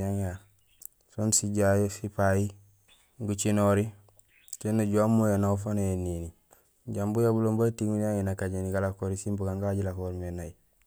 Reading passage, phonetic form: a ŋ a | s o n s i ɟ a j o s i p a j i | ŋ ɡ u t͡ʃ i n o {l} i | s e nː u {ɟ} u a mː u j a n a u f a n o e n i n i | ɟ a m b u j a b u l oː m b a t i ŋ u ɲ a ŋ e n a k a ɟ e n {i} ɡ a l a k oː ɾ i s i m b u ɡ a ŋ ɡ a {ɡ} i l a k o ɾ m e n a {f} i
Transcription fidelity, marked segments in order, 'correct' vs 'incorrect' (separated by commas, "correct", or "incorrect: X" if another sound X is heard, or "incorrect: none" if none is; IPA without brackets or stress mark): incorrect: ɾ, correct, correct, incorrect: ɟ, incorrect: none